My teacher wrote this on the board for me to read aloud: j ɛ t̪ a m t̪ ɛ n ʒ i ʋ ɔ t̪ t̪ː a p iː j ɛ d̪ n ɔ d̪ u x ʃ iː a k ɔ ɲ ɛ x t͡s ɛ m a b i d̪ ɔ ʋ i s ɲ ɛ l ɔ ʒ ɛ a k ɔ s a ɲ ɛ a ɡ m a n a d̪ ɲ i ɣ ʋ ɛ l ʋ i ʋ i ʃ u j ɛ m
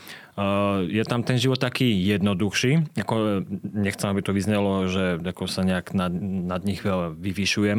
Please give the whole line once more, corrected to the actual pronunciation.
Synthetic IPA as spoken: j ɛ t̪ a m t̪ ɛ n ʒ i ʋ ɔ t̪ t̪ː a k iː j ɛ d̪ n ɔ d̪ u x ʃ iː a k ɔ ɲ ɛ x t͡s ɛ m a b i t̪ ɔ ʋ i z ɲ ɛ l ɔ ʒ ɛ a k ɔ s a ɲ ɛ a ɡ n a n a d̪ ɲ i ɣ ʋ ɛ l ʋ i ʋ i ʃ u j ɛ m